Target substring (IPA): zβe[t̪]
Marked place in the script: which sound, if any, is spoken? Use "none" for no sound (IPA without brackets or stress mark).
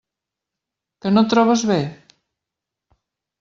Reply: none